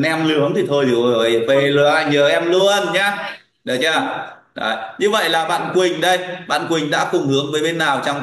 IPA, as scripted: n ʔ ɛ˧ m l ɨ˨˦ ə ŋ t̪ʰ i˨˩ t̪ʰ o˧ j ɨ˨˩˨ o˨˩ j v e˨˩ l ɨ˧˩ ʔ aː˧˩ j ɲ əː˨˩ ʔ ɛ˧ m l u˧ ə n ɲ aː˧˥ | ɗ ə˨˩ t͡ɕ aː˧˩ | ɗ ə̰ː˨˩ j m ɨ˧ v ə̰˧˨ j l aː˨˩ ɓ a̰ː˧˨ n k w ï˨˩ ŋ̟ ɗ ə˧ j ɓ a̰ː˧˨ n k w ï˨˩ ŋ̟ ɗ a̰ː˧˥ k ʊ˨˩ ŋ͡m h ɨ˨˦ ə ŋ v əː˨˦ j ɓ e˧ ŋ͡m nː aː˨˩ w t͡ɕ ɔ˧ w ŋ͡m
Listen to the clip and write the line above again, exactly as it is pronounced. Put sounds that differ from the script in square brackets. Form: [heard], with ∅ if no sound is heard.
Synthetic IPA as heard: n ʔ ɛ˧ m l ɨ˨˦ ə ŋ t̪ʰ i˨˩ t̪ʰ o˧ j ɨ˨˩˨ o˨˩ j v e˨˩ l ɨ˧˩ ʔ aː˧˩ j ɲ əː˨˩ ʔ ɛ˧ m l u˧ ə n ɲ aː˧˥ | ɗ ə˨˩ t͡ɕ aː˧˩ | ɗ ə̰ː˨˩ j [ɲ] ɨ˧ v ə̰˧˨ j l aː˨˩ ɓ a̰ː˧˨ n k w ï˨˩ ŋ̟ ɗ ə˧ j ɓ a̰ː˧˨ n k w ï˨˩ ŋ̟ ɗ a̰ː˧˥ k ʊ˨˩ ŋ͡m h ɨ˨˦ ə ŋ v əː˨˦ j ɓ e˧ [∅] nː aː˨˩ w t͡ɕ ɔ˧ w ŋ͡m

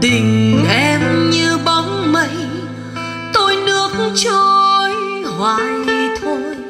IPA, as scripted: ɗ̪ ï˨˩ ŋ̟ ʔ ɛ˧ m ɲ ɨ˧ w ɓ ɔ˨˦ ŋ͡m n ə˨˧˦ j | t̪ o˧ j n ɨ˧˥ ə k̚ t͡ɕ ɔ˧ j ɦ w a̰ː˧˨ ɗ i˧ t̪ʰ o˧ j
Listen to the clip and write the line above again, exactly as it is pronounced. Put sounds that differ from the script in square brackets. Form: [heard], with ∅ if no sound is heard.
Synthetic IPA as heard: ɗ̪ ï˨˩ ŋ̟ ʔ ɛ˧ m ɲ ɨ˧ [∅] ɓ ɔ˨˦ ŋ͡m [m] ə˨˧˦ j | t̪ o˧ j n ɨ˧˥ ə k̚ t͡ɕ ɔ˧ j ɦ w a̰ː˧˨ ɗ i˧ t̪ʰ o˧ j

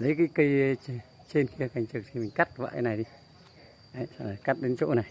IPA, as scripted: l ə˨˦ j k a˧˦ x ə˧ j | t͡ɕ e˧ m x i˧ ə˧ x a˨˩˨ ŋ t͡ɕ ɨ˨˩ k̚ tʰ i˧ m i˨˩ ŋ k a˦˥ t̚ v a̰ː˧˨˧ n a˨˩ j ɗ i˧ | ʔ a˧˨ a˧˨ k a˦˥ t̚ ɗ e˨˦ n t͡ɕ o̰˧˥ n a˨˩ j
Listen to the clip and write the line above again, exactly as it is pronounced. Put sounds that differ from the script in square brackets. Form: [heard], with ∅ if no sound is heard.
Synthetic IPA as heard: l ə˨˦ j k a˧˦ [k] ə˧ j | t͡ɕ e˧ [n] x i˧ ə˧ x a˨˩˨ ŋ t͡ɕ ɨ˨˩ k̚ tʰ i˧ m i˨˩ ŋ k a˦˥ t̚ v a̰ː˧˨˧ n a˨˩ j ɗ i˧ | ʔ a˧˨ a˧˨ k a˦˥ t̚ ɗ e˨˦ n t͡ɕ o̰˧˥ n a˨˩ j

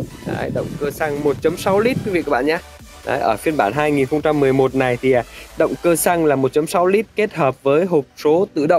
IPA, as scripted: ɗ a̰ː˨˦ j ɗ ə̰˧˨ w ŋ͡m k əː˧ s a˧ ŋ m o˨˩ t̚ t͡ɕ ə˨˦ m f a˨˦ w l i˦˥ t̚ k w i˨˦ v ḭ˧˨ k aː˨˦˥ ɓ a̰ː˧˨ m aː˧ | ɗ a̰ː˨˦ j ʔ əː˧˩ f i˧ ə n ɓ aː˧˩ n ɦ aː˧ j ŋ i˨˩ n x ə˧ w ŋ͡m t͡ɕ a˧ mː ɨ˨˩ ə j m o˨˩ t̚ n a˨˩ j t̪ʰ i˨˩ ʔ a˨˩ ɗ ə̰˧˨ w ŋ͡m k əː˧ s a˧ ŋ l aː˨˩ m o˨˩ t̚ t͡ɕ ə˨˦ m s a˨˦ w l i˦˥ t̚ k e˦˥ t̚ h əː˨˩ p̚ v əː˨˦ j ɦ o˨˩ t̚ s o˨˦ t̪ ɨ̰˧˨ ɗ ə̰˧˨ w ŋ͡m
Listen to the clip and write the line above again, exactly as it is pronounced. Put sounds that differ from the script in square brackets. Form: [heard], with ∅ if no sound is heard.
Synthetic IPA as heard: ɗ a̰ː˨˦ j ɗ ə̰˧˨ w ŋ͡m k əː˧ s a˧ ŋ m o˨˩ t̚ t͡ɕ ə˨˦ m [s] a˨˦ w l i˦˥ t̚ k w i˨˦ v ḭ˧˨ k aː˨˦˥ ɓ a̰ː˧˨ [ɲ] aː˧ | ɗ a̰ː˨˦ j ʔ əː˧˩ f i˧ ə n ɓ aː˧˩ n ɦ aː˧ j ŋ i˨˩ n x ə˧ w ŋ͡m t͡ɕ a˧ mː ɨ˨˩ ə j m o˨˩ t̚ n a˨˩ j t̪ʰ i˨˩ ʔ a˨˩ ɗ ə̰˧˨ w ŋ͡m k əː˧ s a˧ ŋ l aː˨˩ m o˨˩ t̚ t͡ɕ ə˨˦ m s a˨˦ w l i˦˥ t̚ k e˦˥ t̚ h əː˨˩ p̚ v əː˨˦ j ɦ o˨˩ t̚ s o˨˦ t̪ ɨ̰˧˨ ɗ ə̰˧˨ w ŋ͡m

